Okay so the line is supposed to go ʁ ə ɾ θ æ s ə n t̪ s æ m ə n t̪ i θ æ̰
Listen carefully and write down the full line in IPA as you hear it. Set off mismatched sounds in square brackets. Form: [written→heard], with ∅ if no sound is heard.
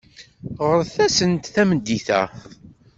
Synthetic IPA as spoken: ʁ ə ɾ θ æ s ə n t̪ [s→θ] æ m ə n [t̪→d̪] i θ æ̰